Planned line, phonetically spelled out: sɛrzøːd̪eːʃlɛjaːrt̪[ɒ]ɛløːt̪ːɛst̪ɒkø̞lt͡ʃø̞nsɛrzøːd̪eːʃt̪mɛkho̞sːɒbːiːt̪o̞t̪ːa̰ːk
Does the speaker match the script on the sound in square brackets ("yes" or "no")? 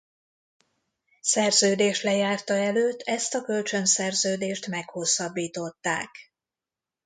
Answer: yes